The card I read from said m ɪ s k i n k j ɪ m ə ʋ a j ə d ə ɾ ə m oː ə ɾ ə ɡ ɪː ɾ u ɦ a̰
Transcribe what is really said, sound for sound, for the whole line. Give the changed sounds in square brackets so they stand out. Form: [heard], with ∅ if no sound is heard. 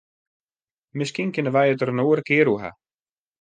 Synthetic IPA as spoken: m ɪ s k i n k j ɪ [n] ə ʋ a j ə [t] ə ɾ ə [n] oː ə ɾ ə [k] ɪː ɾ u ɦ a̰